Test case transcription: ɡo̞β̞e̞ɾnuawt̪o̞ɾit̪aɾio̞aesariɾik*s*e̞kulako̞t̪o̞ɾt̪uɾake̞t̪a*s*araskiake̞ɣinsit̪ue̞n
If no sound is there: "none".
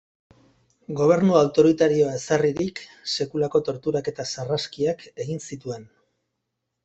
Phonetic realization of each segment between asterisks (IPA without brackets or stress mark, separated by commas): s, s